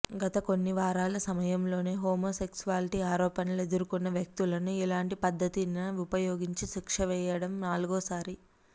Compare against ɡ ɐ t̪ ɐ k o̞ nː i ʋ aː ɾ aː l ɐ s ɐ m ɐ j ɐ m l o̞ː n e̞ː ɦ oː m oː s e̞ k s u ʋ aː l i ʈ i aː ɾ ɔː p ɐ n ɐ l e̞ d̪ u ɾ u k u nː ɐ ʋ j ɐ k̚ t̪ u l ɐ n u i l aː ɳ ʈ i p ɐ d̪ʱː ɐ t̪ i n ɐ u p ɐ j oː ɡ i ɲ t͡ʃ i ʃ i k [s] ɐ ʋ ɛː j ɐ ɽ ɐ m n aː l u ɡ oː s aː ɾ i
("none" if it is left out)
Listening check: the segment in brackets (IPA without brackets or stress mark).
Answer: ʂ